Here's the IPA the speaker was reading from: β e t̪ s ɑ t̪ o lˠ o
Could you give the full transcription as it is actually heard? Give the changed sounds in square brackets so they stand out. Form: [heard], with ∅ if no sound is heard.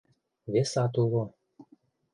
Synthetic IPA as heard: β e [∅] s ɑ t̪ [u] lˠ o

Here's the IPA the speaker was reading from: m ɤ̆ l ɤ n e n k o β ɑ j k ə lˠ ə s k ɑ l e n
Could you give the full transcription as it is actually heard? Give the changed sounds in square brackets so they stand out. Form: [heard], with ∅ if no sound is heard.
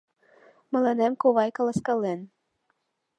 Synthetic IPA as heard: m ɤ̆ l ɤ n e [m] k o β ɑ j k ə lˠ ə s k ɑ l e n

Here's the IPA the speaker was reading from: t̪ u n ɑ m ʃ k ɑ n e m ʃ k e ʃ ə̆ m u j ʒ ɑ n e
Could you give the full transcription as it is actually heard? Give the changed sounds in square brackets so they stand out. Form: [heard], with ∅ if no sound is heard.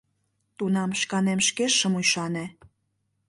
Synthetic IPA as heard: t̪ u n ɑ m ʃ k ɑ n e m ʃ k e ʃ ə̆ m u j [ʃ] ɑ n e

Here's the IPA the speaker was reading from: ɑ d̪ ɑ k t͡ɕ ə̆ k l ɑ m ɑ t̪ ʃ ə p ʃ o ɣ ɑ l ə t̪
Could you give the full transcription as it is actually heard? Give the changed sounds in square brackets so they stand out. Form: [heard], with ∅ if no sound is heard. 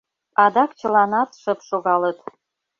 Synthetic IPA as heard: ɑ d̪ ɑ k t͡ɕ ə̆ [∅] l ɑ [n] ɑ t̪ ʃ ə p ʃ o ɣ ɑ l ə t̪

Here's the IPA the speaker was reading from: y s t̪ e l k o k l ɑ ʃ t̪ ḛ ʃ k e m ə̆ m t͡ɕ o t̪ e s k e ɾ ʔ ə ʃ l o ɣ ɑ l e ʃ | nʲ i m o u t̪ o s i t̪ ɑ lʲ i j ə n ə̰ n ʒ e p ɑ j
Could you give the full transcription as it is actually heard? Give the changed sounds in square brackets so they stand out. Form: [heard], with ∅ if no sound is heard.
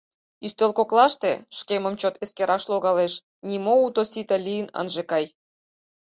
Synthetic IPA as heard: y s t̪ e l k o k l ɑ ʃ t̪ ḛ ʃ k e m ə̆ m t͡ɕ o t̪ e s k e ɾ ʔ [ɑ] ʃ l o ɣ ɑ l e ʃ | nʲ i m o u t̪ o s i t̪ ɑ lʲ i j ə n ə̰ n ʒ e [k] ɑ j

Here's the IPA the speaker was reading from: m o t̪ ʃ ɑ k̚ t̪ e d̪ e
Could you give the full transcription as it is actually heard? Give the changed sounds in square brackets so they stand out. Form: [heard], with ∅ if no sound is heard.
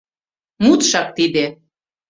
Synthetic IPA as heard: m [u] t̪ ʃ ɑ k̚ t̪ [i] d̪ e

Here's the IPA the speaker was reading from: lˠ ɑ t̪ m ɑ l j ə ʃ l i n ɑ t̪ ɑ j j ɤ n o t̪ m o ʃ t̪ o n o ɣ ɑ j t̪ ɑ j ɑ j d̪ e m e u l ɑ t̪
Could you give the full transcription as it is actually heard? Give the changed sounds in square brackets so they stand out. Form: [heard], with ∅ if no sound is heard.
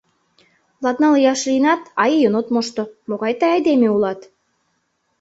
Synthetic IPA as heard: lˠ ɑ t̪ [n] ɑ l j [ɑ] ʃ l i n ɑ t̪ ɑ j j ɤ n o t̪ m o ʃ t̪ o [m] o ɣ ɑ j t̪ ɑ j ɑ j d̪ e m e u l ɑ t̪

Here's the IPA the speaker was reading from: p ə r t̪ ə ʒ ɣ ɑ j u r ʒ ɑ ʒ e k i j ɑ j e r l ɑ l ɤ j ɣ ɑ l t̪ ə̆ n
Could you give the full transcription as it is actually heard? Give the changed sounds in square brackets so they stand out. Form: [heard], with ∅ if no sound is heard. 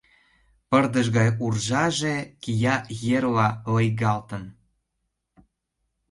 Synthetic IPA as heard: p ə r [d̪] ə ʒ ɣ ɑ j u r ʒ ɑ ʒ e k i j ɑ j e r l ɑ l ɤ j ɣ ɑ l t̪ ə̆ n

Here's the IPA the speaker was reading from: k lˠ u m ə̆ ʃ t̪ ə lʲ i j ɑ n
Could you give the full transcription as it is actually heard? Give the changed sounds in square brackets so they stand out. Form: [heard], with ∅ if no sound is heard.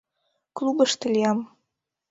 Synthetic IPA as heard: k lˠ u [b] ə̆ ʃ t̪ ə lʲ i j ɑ [m]

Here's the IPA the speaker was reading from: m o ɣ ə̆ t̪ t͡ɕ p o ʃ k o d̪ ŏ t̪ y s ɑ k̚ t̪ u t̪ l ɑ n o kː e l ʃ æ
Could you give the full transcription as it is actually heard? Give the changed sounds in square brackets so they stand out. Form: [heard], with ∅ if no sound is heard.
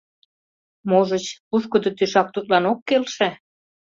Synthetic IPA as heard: m o [ʒ] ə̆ [∅] t͡ɕ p [u] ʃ k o d̪ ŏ t̪ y [ʃ] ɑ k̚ t̪ u t̪ l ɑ n o kː e l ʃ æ

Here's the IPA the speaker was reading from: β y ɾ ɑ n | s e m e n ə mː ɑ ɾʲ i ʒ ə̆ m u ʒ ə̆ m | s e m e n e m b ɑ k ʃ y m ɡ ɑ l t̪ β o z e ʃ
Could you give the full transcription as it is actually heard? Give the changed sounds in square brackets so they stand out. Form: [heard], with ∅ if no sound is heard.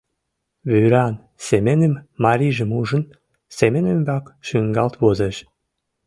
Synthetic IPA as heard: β y ɾ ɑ n | s e m e n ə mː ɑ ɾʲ i ʒ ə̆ m u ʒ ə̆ [n] | s e m e n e m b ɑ k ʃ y [ŋ] ɡ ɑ l t̪ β o z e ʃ

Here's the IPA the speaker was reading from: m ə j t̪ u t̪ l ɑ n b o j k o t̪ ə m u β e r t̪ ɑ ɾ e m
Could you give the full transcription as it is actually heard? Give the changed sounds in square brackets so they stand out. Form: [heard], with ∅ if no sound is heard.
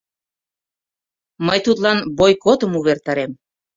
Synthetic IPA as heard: m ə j t̪ u t̪ l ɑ n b o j k o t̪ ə m u β e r t̪ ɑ ɾ e m

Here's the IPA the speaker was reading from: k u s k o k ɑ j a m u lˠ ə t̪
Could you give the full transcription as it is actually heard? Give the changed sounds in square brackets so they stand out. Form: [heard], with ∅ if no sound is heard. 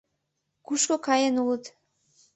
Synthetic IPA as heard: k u [ʃ] k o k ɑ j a [n] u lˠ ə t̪

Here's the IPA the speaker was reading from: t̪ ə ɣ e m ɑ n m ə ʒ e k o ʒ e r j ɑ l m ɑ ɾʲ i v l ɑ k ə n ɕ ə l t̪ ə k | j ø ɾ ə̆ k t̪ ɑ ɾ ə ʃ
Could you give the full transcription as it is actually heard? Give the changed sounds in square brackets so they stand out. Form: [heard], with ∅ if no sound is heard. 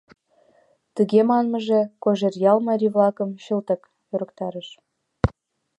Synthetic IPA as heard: t̪ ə ɣ e m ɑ n m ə ʒ e k o ʒ e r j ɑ l m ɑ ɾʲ i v l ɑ k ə [m] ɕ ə l t̪ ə k | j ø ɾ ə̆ k t̪ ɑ ɾ ə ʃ

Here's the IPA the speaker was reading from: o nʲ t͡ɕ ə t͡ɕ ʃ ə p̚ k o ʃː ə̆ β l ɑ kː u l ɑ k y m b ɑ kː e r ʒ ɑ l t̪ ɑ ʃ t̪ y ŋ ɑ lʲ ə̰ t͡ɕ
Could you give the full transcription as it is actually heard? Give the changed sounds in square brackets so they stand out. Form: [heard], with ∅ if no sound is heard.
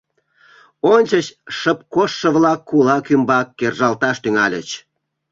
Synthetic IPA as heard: o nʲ t͡ɕ ə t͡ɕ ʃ ə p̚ k o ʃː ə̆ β l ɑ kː u l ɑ k y m b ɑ kː e r ʒ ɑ l t̪ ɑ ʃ t̪ y ŋ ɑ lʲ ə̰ t͡ɕ

